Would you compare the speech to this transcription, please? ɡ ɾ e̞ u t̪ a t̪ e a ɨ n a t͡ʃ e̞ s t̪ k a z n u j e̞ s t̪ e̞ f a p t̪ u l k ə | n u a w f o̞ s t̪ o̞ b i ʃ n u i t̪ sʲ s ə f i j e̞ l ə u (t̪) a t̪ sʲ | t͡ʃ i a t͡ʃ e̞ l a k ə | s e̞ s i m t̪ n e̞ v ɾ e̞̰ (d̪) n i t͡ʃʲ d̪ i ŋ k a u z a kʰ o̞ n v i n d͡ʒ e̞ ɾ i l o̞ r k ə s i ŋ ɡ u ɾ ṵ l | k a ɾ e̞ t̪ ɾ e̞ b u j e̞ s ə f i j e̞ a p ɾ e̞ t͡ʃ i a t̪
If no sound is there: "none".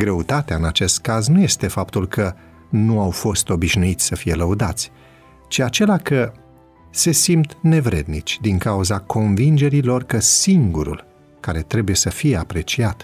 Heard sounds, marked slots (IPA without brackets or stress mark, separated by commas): d̪, d̪